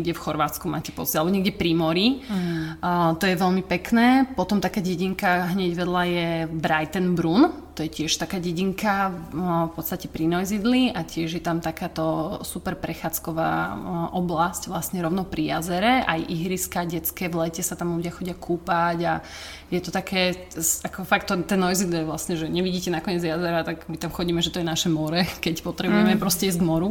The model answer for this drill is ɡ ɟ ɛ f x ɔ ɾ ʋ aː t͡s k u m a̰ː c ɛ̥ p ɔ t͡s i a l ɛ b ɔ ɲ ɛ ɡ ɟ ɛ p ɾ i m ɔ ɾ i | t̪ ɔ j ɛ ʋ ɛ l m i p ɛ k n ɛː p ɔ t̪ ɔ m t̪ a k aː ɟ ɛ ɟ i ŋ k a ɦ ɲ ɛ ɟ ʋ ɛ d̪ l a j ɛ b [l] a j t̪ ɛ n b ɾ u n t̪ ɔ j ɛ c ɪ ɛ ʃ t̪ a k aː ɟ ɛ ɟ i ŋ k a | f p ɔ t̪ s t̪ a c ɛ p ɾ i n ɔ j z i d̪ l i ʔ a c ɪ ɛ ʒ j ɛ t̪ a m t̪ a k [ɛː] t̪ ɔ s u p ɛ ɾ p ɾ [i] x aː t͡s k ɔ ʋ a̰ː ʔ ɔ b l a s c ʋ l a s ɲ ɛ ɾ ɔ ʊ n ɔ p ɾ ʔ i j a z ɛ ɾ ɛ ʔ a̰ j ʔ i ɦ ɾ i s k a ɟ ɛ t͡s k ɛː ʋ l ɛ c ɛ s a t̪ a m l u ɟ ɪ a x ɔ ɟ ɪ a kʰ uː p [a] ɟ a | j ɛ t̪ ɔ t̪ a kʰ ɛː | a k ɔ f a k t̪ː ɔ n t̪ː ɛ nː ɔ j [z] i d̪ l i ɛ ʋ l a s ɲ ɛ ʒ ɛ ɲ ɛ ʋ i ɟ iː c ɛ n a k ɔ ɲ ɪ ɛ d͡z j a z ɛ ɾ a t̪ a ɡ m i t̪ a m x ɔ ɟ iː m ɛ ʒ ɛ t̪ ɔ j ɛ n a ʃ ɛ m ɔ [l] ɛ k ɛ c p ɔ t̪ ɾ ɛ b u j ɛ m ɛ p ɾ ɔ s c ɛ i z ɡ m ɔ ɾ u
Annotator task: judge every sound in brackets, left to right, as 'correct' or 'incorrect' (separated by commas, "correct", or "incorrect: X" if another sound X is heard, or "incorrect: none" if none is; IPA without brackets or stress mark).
incorrect: ɾ, incorrect: aː, incorrect: ɛ, correct, correct, incorrect: ɾ